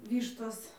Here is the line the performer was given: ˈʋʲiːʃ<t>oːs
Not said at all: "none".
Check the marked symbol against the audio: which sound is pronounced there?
t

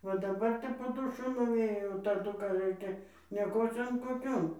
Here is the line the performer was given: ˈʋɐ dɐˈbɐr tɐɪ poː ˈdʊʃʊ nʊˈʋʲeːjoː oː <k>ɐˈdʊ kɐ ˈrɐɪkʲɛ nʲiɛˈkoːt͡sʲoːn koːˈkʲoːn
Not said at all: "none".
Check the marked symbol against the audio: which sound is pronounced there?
t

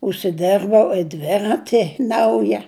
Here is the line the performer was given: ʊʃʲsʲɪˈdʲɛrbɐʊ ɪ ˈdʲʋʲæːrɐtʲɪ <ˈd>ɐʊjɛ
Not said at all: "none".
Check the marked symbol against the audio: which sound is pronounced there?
n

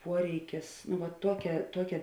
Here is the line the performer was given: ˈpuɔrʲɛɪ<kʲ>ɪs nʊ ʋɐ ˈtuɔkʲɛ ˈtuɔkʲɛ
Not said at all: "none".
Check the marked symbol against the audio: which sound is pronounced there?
kʲ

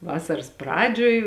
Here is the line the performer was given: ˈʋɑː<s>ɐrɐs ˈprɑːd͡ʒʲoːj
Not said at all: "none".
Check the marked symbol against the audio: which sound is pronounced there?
s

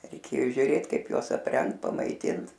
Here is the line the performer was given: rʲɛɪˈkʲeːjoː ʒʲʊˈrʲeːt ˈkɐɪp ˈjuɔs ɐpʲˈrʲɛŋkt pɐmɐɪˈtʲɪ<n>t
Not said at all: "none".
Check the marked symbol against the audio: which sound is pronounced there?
n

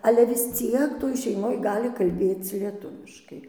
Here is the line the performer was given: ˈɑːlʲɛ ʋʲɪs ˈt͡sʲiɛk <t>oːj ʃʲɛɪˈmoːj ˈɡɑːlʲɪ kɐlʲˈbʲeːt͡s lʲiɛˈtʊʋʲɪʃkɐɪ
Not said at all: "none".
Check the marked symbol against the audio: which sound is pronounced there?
t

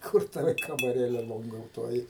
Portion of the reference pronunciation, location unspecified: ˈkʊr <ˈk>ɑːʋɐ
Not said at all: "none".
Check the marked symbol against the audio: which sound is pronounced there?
t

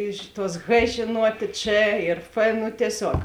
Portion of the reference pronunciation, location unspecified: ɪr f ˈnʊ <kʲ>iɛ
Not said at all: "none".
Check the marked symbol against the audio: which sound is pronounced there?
tʲ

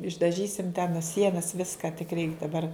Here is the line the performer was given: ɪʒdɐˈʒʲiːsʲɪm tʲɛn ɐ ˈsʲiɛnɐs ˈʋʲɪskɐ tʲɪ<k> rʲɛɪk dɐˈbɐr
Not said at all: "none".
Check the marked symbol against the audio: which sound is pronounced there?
k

